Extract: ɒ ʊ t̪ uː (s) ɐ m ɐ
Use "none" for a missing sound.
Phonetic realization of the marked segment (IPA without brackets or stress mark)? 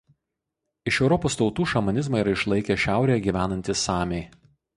ʃ